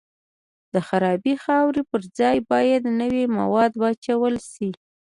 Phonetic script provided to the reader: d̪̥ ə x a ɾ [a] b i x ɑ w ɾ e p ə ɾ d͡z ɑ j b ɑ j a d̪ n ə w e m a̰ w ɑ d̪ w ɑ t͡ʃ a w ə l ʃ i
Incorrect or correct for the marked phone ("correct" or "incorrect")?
incorrect